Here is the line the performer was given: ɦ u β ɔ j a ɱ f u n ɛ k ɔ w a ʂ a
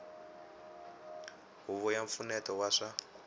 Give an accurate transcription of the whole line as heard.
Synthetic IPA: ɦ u β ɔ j a ɱ f u n ɛ t ɔ w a ʂ a